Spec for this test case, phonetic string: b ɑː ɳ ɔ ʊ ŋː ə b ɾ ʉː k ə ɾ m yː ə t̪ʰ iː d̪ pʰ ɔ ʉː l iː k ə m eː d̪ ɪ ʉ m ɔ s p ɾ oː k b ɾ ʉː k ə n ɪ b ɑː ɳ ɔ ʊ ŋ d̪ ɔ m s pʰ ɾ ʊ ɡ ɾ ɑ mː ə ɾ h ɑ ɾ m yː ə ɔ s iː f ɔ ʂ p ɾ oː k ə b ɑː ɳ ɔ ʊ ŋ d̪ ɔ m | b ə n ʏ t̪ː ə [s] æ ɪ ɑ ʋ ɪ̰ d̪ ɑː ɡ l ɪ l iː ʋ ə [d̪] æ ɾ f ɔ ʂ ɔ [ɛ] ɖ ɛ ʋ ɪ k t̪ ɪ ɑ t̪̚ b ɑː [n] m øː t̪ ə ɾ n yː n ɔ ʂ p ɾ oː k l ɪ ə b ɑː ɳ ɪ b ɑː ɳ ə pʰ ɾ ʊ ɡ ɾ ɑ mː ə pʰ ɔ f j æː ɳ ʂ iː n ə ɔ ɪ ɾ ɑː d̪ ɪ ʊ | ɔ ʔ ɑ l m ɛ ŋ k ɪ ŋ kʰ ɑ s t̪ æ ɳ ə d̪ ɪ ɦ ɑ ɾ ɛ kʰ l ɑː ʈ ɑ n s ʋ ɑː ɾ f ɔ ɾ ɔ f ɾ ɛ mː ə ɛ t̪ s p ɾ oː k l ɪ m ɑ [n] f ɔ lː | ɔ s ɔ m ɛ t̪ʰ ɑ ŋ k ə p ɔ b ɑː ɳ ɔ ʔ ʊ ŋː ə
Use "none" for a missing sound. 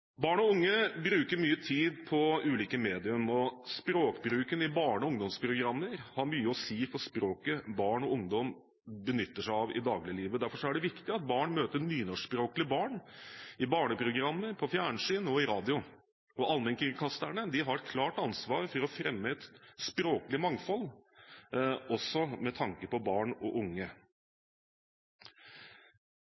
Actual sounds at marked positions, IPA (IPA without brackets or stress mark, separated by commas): ʂ, d̪, æ, ɳ, ŋ